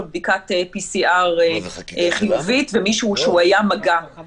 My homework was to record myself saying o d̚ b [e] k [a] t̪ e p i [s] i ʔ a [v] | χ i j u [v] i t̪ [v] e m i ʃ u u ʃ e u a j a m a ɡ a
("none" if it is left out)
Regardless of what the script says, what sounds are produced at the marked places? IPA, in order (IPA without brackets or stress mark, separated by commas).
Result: i, a, s, ʁ, v, v